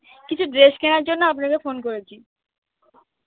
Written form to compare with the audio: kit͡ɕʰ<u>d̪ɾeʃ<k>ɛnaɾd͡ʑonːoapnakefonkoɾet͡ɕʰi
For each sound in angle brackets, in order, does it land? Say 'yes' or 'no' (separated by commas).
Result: yes, yes